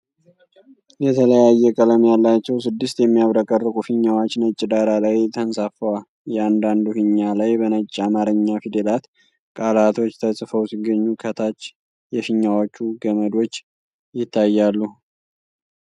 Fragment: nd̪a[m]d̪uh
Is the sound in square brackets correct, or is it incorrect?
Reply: incorrect